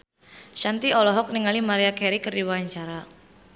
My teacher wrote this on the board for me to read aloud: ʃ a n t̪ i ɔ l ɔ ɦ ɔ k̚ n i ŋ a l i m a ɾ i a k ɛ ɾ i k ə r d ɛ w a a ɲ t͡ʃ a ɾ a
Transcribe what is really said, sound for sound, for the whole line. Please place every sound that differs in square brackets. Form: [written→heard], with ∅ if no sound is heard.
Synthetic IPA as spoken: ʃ a n t̪ i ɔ l ɔ ɦ ɔ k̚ n i ŋ a l i m a ɾ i a k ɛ ɾ i k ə r d [ɛ→i] w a a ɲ t͡ʃ a ɾ a